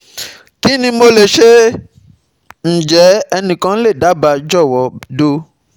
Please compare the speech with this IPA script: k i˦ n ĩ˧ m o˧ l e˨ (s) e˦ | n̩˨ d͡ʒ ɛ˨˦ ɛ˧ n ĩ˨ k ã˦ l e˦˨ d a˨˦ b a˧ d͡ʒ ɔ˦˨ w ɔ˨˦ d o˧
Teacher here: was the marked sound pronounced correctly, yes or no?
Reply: no